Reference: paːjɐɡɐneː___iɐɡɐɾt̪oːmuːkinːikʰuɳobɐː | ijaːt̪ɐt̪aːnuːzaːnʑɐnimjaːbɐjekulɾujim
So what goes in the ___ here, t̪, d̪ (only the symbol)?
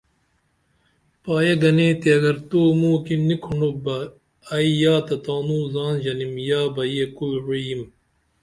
t̪